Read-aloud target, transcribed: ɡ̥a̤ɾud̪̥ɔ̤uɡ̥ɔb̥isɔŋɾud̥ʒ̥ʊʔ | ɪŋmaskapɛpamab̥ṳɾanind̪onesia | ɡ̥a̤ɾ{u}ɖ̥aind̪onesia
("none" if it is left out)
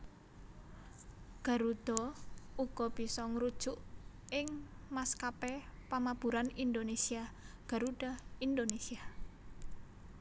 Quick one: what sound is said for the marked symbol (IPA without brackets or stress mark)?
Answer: u